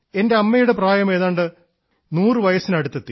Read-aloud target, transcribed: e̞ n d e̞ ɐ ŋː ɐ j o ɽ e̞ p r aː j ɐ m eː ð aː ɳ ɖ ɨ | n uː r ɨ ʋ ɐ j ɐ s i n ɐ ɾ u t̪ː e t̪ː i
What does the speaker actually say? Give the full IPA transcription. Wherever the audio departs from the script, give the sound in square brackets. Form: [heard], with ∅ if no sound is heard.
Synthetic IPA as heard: e̞ n d e̞ ɐ [mː] ɐ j [u] ɽ e̞ p r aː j ɐ m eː ð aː ɳ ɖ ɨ | n uː r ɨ ʋ ɐ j ɐ s i n ɐ [ɽ] u t̪ː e t̪ː i

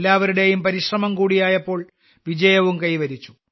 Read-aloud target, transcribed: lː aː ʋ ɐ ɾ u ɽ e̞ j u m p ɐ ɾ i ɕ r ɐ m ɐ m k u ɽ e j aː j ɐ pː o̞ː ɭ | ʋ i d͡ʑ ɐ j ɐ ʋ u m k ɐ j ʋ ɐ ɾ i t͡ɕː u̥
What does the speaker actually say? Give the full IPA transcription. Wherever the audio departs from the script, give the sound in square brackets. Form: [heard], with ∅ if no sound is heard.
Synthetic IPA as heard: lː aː ʋ ɐ ɾ u ɽ e̞ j u m p ɐ ɾ i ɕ r ɐ m ɐ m k [uː] ɽ [i] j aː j ɐ pː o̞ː ɭ | ʋ i d͡ʑ ɐ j ɐ ʋ u m k ɐ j ʋ ɐ ɾ i t͡ɕː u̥

